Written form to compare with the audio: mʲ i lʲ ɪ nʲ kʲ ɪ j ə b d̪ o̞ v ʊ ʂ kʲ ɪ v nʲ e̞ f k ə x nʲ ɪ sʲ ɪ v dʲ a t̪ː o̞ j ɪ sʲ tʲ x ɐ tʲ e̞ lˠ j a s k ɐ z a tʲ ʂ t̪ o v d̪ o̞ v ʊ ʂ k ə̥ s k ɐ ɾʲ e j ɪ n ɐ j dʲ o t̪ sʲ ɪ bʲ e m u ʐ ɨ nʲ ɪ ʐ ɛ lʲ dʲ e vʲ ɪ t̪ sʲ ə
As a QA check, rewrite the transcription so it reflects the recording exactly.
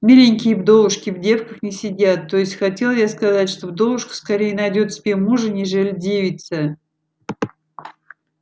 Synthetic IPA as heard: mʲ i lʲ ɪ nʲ kʲ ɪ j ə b d̪ o̞ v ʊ ʂ kʲ ɪ v dʲ e̞ f k ə x nʲ ɪ sʲ ɪ dʲ a t̪ː o̞ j ɪ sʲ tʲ x ɐ tʲ e̞ lˠ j a s k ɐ z a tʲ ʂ t̪ o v d̪ o̞ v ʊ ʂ k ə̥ s k ɐ ɾʲ e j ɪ n ɐ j dʲ o t̪ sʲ ɪ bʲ e m u ʐ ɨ nʲ ɪ ʐ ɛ lʲ dʲ e vʲ ɪ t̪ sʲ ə